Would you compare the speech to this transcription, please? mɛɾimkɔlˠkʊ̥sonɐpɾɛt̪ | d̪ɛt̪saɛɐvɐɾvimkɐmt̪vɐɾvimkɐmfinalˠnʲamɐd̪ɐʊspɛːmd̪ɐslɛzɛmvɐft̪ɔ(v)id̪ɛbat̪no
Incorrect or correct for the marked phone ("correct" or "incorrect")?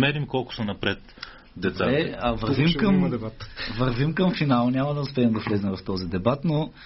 incorrect